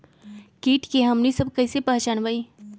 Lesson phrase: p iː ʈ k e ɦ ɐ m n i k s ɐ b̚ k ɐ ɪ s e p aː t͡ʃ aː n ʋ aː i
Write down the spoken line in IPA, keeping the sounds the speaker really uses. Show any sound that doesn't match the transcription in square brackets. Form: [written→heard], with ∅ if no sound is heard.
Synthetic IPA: [p→k] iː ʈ k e ɦ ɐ m n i [k→∅] s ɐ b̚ k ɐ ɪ s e p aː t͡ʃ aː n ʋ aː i